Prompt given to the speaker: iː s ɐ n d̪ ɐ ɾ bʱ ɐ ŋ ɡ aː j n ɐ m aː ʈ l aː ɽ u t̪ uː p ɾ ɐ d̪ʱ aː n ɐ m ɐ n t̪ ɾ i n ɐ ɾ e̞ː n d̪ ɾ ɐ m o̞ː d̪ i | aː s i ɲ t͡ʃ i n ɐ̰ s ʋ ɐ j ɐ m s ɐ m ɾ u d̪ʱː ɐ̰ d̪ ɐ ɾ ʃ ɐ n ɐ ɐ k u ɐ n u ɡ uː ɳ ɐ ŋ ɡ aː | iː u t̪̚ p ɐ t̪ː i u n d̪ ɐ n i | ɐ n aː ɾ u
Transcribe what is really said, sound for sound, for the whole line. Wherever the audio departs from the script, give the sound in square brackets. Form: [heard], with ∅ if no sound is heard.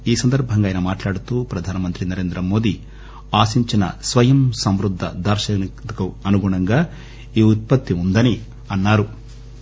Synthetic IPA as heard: iː s ɐ n d̪ ɐ ɾ bʱ ɐ ŋ ɡ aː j n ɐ m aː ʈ l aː ɽ u t̪ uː p ɾ ɐ d̪ʱ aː n ɐ m ɐ n t̪ ɾ i n ɐ ɾ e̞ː n d̪ ɾ ɐ m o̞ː d̪ i | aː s i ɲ t͡ʃ i n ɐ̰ s ʋ ɐ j ɐ m s ɐ m ɾ u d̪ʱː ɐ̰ d̪ ɐ ɾ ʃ ɐ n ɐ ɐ k u ɐ n u ɡ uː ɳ ɐ ŋ ɡ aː | iː u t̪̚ p ɐ t̪ː i u n d̪ ɐ n i | ɐ [nː] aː ɾ u